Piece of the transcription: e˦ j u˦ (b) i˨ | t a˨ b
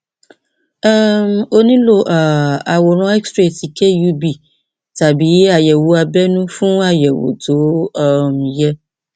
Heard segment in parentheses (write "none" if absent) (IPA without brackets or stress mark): b